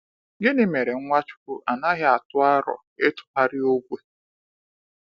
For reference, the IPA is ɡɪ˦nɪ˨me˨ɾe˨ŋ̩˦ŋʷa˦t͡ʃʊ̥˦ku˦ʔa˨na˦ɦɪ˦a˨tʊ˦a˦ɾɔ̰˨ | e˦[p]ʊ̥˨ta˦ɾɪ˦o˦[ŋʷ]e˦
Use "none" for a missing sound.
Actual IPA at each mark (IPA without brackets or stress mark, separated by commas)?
t, ɡʷ